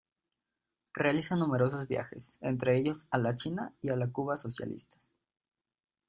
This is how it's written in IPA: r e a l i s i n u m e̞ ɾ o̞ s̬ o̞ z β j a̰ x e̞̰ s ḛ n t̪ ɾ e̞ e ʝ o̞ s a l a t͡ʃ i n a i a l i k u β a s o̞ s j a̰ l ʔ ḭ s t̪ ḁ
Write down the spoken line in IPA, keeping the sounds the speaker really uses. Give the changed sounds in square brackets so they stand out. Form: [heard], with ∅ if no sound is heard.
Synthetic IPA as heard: r e a l i s [a] n u m e̞ ɾ o̞ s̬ o̞ z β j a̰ x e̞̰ s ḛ n t̪ ɾ e̞ e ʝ o̞ s a l a t͡ʃ i n a i a l [a] k u β a s o̞ s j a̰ l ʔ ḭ s t̪ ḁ